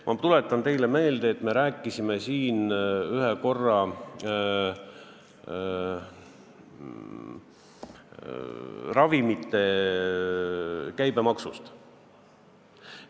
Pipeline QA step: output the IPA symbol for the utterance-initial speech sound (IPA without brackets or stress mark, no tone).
m